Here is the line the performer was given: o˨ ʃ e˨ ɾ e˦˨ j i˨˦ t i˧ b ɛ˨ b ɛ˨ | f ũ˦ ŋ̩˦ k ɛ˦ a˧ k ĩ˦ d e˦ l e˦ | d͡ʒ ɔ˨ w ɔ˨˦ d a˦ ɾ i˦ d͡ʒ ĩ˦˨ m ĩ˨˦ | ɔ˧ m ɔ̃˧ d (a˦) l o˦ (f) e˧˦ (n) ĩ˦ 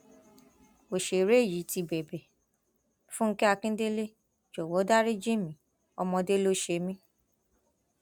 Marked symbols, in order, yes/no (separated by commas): no, no, no